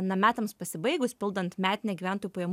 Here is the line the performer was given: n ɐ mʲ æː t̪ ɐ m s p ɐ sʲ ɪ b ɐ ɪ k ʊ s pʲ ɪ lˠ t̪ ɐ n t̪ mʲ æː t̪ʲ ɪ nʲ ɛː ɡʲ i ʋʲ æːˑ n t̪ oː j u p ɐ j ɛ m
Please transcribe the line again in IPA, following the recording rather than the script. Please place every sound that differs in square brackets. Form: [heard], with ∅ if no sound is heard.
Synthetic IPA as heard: n ɐ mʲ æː t̪ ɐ m s p ɐ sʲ ɪ b ɐ ɪ [ɡ] ʊ s pʲ ɪ lˠ [d̪] ɐ n t̪ mʲ æː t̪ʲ ɪ nʲ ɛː ɡʲ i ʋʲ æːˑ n t̪ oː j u p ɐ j ɛ m